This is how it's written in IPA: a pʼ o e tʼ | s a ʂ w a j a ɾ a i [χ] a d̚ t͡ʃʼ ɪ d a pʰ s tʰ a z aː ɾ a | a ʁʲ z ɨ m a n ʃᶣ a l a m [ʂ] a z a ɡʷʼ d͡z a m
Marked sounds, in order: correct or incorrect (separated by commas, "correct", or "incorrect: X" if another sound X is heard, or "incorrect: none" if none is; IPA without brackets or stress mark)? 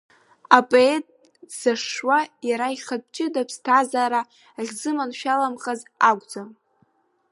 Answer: correct, incorrect: χ